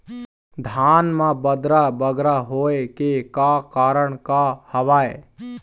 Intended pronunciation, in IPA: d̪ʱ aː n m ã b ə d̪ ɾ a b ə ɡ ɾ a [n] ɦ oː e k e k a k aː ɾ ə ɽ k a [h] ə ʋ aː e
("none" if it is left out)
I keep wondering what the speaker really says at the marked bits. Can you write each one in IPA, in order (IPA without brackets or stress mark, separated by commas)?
none, h